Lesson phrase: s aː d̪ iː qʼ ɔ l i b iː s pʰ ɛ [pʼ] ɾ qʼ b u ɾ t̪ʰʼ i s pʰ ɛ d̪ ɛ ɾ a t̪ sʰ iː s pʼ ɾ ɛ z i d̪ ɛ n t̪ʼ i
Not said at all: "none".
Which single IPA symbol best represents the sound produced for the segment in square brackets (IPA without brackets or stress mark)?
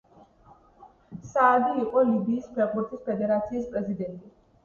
none